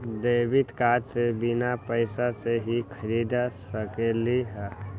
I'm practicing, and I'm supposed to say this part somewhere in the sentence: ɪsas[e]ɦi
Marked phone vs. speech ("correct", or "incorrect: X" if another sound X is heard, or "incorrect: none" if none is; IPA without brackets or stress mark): correct